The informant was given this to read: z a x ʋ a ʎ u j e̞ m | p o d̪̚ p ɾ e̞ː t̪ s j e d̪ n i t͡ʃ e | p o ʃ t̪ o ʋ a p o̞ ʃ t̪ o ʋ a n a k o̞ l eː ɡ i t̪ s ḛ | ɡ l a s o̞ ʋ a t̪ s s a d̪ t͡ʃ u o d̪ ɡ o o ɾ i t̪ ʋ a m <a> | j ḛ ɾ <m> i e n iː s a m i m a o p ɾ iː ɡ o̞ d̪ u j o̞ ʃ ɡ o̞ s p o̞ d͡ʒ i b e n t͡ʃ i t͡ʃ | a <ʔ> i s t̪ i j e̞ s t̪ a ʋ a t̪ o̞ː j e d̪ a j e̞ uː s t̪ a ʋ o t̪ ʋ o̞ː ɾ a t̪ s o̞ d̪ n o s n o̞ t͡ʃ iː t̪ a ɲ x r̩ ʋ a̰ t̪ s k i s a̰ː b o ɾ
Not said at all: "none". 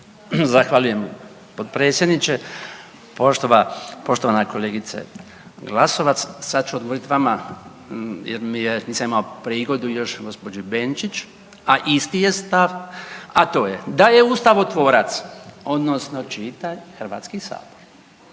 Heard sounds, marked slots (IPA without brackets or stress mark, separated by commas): a, m, ʔ